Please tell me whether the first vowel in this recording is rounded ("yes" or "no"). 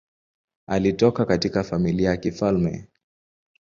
no